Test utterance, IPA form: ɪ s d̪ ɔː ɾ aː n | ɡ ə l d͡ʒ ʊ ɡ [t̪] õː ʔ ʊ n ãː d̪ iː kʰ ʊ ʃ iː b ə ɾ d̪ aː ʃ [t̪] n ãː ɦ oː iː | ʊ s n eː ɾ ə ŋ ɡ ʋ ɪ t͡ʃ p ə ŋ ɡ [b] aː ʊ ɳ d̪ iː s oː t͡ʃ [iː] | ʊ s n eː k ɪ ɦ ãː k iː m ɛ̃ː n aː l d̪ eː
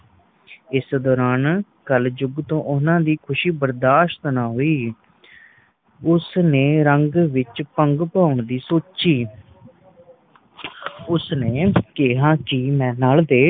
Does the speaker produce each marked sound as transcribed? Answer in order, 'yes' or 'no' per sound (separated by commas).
yes, yes, no, yes